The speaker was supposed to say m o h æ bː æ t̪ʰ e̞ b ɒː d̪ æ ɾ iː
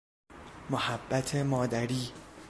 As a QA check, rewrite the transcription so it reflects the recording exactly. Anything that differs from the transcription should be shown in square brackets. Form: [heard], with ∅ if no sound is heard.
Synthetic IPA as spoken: m o h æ bː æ t̪ʰ e̞ [m] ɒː d̪ æ ɾ iː